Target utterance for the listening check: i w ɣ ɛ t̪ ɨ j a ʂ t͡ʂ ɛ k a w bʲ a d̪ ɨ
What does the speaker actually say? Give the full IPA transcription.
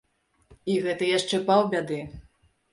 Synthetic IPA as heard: i ɣ ɛ t̪ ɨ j a ʂ t͡ʂ ɛ p a w bʲ a d̪ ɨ